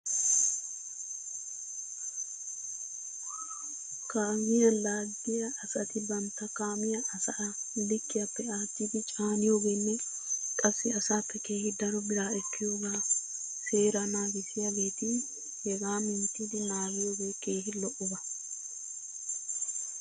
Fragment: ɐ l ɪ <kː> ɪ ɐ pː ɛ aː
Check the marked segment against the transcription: correct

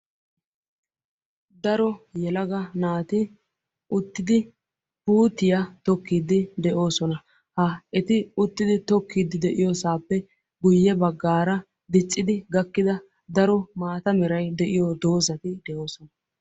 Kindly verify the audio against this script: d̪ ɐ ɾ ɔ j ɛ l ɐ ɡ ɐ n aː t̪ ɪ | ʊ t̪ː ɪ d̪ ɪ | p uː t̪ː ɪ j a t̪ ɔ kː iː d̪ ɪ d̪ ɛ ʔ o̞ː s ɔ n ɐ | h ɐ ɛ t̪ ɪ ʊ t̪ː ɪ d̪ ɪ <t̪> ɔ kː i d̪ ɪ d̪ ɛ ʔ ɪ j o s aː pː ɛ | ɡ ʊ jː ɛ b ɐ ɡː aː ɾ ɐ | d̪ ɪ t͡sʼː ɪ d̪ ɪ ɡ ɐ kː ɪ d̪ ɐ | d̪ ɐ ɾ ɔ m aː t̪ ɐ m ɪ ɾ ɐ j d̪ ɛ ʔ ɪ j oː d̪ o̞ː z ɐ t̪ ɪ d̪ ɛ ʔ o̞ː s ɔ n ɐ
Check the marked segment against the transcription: correct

